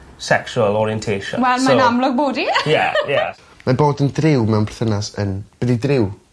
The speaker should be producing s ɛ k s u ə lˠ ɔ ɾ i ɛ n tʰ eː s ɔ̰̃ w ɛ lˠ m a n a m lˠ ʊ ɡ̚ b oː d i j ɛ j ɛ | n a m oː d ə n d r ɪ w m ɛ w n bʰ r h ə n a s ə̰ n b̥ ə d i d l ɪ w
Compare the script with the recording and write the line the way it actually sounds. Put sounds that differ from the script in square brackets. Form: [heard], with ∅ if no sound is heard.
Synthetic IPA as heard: s ɛ k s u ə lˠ ɔ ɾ i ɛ n tʰ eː [ʃ] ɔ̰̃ w ɛ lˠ m a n a m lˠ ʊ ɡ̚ b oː d i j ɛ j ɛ | [m] a [b] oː d ə n d r ɪ w m ɛ w n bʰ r [θ] ə n a s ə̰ n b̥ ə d i d [r] ɪ w